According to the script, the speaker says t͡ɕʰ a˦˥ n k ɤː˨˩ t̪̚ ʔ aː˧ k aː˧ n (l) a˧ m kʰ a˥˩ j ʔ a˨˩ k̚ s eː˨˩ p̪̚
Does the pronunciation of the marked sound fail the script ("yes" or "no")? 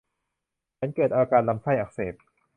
no